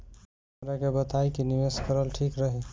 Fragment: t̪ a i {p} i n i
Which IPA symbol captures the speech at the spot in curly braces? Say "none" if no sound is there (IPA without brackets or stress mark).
k